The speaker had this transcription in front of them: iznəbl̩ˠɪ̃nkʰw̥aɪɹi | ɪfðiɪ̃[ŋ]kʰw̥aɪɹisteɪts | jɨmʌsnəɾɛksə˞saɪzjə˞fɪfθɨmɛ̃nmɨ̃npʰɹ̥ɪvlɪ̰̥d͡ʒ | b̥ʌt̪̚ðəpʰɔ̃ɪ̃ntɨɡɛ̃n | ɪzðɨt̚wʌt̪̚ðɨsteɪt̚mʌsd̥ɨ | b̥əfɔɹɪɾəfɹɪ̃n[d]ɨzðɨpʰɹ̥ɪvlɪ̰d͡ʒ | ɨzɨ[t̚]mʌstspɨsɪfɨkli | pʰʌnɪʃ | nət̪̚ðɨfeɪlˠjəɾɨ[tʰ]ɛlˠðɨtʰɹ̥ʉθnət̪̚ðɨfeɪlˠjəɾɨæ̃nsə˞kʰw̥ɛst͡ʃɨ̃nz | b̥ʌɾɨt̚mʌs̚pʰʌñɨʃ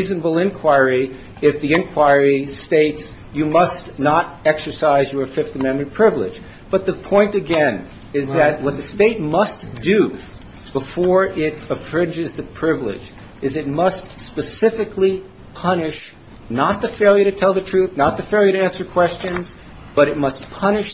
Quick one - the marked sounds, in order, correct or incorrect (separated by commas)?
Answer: incorrect, incorrect, correct, correct